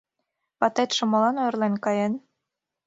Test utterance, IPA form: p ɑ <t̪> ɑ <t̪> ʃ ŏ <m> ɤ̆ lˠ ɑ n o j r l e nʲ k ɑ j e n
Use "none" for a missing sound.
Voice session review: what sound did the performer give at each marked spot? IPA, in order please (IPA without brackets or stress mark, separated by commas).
t̪, t̪, m